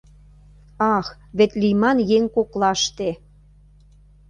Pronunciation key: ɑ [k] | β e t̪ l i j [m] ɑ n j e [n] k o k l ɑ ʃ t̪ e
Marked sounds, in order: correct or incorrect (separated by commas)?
incorrect, correct, incorrect